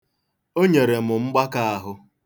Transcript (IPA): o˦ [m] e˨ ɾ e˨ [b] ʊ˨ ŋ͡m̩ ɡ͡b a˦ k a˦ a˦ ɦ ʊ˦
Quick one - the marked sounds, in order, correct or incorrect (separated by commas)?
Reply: incorrect, incorrect